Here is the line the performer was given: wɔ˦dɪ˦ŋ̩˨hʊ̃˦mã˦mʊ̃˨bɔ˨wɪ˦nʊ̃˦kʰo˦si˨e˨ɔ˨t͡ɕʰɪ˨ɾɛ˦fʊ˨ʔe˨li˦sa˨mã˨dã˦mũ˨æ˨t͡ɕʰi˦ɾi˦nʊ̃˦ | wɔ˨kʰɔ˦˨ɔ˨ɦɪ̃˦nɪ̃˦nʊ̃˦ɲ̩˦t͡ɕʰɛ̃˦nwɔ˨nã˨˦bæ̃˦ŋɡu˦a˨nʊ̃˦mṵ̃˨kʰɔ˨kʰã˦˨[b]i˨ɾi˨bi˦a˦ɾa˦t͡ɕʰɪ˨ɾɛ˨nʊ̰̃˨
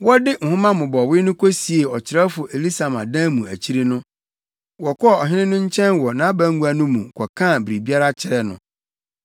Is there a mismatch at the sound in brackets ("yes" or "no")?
no